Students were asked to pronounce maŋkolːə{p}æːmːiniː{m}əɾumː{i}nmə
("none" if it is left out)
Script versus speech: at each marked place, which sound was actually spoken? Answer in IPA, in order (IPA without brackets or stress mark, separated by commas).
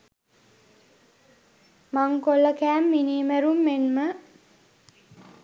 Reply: k, m, e